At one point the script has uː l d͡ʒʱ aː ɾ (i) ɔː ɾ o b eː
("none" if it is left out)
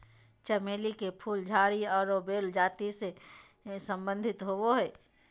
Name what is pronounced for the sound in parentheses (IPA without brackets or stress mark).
i